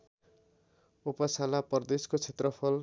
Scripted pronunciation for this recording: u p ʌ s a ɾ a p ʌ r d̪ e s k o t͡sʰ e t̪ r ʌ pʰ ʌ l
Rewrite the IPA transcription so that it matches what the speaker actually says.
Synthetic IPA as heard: u p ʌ s a l a p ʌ r d̪ e s k o t͡sʰ e t̪ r ʌ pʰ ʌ l